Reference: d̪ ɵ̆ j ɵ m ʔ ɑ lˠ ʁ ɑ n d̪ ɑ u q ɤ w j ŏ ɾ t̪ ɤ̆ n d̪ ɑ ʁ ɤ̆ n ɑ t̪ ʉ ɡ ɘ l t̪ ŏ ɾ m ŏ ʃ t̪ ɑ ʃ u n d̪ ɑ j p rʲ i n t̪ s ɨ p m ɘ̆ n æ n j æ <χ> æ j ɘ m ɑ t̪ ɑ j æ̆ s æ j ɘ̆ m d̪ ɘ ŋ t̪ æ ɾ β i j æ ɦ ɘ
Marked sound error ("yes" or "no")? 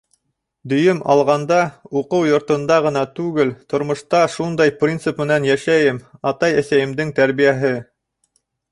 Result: yes